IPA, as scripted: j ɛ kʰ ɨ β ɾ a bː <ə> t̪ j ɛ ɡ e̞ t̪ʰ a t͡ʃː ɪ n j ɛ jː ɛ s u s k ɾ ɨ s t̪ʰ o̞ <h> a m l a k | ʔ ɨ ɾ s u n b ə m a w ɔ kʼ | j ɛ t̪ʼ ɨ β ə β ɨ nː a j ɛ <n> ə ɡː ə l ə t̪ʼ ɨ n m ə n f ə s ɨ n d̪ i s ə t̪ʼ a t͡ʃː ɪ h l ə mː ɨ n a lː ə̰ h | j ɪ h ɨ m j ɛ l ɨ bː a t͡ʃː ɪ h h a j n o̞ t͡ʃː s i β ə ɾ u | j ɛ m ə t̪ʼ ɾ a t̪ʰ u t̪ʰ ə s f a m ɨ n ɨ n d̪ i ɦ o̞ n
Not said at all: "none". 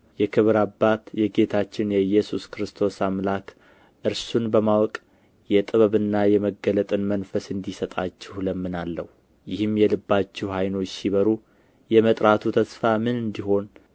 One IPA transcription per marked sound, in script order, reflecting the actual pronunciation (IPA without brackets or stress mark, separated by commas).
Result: a, s, m